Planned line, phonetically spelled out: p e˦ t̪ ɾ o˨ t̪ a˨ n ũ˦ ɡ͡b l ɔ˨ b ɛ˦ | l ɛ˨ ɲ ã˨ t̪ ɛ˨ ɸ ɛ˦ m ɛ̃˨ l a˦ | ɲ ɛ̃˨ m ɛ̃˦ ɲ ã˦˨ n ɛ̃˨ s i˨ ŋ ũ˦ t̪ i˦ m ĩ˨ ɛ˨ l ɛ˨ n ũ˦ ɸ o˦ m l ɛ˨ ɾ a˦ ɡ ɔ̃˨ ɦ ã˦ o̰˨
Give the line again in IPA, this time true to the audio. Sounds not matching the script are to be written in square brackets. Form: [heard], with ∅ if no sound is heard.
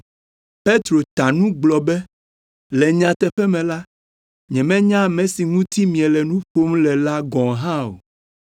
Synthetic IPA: p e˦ t̪ ɾ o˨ t̪ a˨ n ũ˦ ɡ͡b l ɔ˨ b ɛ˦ | l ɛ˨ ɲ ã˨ t̪ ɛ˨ ɸ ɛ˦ m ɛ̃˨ l a˦ | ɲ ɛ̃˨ m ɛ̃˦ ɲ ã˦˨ [m] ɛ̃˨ s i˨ ŋ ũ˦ t̪ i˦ m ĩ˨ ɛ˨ l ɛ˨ n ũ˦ ɸ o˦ m l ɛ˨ [l] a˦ ɡ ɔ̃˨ ɦ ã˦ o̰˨